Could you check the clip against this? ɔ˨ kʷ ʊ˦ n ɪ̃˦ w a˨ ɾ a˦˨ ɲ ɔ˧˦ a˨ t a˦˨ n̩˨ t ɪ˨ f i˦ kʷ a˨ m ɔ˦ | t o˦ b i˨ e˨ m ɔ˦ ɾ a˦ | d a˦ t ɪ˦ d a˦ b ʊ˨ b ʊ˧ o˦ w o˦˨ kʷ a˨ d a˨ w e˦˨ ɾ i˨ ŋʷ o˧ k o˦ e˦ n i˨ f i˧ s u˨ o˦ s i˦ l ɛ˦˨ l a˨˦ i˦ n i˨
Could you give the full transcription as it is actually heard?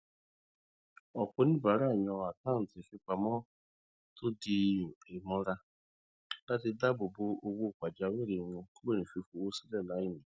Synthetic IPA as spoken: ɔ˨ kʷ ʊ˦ n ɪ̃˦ b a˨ ɾ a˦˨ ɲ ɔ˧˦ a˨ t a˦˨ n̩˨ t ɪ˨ f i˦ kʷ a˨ m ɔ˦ | t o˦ d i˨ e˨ m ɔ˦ ɾ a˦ | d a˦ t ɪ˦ d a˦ b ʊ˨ b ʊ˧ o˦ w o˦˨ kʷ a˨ d͡ʒ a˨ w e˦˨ ɾ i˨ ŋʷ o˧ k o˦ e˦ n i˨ f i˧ f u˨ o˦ s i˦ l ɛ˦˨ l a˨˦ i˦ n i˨